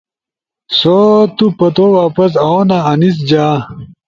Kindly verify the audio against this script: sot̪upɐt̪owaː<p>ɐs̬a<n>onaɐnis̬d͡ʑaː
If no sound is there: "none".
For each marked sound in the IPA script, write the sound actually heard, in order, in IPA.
p, none

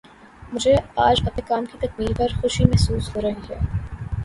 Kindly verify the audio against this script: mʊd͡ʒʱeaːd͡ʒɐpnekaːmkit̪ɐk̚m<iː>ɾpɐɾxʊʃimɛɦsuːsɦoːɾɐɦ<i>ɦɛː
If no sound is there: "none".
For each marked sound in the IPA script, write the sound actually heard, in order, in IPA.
iː, i

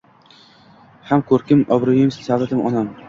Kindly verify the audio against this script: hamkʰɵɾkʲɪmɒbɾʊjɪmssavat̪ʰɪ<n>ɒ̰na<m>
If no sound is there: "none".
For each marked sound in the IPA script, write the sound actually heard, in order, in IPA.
m, m

